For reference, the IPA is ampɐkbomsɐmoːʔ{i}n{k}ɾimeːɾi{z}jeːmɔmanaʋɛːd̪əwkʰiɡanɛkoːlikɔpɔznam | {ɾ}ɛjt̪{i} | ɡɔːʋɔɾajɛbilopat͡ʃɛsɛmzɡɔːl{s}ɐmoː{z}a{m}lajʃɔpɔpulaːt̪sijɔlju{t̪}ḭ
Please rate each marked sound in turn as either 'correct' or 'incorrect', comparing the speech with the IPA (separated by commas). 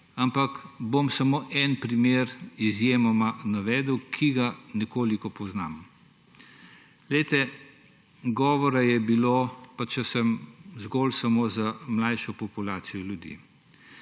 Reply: incorrect, incorrect, correct, incorrect, incorrect, correct, correct, correct, incorrect